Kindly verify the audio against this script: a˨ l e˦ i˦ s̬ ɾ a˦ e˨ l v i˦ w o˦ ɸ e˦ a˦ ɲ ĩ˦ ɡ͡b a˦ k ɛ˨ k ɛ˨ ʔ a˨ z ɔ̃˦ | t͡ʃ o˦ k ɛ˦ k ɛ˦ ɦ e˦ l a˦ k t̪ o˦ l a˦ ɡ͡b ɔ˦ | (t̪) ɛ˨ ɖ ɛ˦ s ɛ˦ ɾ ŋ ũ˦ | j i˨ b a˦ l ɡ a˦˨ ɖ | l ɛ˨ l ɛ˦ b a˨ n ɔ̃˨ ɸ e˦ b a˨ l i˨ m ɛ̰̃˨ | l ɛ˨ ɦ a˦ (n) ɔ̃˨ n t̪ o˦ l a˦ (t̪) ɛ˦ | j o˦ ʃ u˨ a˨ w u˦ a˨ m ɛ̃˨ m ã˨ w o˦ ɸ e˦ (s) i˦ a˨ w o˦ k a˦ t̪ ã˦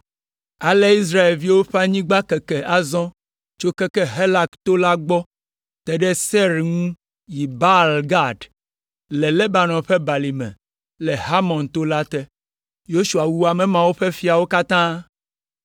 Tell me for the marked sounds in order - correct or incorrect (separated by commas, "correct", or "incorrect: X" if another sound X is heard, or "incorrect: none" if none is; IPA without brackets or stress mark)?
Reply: correct, incorrect: m, correct, incorrect: f